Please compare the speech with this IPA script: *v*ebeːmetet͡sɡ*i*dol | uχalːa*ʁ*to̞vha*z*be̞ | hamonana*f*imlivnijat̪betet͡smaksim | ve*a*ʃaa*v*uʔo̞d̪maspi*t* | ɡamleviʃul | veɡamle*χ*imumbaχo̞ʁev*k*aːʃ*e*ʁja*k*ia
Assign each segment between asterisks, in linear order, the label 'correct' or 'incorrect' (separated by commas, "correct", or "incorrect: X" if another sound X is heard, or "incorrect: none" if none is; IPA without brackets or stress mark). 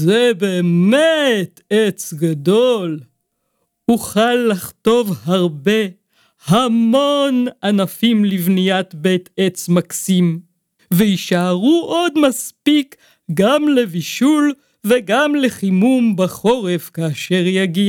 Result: incorrect: z, incorrect: a, incorrect: χ, incorrect: ʁ, correct, incorrect: i, incorrect: ʁ, incorrect: k, correct, correct, correct, incorrect: ɡ